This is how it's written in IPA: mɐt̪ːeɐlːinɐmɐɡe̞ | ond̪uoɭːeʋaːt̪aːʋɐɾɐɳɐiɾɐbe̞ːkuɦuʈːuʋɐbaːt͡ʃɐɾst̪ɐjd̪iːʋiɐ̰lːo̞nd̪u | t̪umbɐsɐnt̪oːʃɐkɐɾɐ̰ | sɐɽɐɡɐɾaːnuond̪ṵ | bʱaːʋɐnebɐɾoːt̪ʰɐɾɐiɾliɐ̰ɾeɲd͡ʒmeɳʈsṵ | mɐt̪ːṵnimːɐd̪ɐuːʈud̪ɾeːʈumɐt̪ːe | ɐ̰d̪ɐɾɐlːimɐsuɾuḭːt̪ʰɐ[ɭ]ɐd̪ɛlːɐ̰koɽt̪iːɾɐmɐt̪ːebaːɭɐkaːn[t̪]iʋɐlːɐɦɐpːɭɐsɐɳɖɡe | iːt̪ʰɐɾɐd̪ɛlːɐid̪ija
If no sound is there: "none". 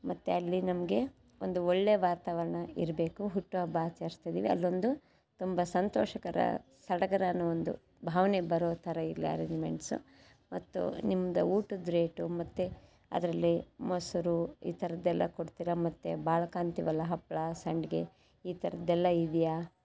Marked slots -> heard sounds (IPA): ɾ, t̪

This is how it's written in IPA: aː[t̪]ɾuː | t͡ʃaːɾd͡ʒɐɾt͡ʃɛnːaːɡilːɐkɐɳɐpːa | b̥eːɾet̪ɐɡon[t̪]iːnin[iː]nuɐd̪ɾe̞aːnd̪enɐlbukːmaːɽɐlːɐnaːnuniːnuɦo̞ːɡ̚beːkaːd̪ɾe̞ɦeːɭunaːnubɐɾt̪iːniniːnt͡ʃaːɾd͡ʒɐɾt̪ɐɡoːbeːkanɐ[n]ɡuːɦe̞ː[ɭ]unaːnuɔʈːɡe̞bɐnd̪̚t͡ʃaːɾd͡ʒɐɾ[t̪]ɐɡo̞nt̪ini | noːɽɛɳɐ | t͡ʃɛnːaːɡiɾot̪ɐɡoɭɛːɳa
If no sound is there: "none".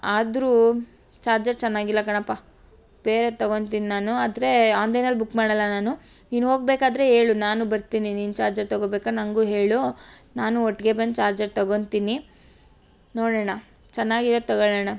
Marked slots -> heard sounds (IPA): d̪, t̪, aː, ŋ, ɭ, t̪

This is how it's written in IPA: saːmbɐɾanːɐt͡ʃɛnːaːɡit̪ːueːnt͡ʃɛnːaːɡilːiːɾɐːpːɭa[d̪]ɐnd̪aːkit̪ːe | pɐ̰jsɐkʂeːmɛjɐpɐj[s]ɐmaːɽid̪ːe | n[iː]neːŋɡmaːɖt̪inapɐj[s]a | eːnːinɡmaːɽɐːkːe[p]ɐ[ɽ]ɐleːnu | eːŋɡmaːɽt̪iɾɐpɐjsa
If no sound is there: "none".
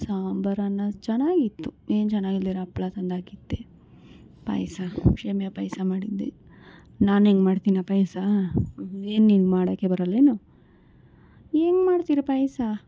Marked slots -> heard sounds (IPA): t̪, s, aː, s, b, ɾ

